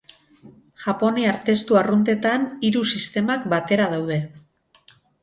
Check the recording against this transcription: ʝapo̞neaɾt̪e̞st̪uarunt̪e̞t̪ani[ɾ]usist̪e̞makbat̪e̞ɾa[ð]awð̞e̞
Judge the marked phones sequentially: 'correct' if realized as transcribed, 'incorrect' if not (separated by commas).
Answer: correct, correct